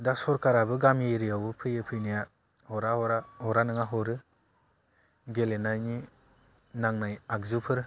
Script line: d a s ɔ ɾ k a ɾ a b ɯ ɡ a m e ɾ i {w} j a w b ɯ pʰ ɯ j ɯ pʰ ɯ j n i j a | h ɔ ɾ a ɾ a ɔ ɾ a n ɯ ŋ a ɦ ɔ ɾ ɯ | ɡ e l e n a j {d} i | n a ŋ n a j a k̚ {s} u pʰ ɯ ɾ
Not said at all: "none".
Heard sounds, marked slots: none, n, z

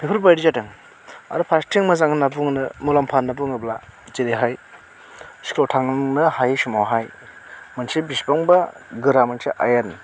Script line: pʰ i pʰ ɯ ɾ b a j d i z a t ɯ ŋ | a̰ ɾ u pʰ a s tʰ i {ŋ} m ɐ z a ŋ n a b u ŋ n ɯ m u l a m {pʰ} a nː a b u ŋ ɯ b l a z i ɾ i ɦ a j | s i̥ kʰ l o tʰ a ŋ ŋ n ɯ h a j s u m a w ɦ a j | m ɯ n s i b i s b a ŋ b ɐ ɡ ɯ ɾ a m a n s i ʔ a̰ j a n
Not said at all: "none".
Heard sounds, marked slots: ŋ, pʰ

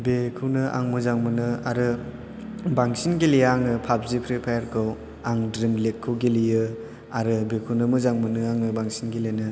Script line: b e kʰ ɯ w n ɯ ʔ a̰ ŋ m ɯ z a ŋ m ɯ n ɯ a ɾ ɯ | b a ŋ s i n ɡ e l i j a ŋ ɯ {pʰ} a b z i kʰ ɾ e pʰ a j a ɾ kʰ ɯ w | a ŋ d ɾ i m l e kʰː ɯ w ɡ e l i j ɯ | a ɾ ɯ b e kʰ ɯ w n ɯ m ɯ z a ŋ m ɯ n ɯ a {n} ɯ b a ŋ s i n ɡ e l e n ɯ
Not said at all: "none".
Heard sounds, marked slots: pʰ, ŋ

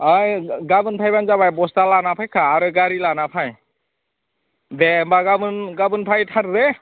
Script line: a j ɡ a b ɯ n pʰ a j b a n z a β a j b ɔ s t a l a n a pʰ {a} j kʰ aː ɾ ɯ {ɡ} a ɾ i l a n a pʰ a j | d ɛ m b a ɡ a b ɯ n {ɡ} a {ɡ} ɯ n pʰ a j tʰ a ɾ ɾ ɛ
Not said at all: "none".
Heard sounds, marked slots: a, ɡ, ɡ, b

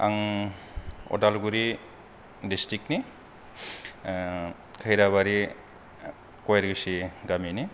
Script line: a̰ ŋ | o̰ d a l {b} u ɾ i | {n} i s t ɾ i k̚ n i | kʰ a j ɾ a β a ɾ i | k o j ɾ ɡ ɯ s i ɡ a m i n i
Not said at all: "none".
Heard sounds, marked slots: ɡ, d

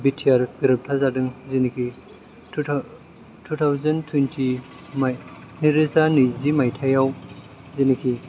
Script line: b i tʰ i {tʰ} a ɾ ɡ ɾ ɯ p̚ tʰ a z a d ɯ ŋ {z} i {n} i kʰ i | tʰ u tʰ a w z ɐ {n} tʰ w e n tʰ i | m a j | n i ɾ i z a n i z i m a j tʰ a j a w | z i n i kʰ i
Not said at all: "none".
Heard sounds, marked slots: none, z, n, n

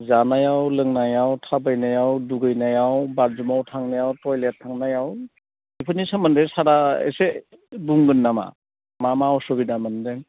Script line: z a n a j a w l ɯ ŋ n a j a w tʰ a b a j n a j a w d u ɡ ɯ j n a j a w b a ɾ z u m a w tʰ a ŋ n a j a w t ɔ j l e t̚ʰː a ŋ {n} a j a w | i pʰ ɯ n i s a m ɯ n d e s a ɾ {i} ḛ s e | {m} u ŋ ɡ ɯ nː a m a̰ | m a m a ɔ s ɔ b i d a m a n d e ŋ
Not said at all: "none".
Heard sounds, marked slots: n, a, b

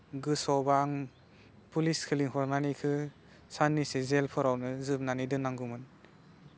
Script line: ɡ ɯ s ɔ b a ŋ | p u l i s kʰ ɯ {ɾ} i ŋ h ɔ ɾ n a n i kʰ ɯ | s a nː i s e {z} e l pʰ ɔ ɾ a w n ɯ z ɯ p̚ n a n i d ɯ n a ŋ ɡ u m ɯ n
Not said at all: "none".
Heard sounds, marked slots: l, z

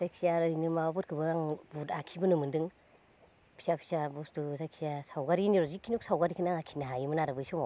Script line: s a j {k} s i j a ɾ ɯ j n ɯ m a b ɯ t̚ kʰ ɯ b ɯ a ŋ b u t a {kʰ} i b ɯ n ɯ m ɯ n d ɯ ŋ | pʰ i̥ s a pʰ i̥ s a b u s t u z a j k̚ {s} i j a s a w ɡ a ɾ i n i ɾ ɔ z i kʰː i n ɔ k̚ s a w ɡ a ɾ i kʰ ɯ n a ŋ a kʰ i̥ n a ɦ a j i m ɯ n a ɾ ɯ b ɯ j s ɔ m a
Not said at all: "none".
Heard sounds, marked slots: k, kʰ, s

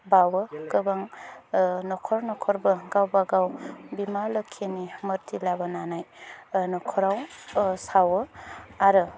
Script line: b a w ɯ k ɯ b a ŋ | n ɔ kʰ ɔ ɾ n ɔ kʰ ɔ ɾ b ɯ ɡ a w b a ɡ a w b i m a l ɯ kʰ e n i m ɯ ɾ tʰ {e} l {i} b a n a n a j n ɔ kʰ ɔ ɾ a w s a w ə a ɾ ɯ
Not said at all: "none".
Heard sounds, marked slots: i, a

